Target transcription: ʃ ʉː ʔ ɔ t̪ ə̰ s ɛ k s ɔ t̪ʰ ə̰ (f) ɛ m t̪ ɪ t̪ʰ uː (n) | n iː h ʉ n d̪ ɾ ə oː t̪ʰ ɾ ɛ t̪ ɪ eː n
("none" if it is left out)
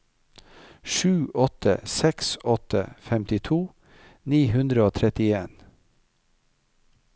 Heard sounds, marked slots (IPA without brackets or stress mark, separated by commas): f, none